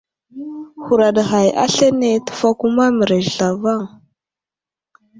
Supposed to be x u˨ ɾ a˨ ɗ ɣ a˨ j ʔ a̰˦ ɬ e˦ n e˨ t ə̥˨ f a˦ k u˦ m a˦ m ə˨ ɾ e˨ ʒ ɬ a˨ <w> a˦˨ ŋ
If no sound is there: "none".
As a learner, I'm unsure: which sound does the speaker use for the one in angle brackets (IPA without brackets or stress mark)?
v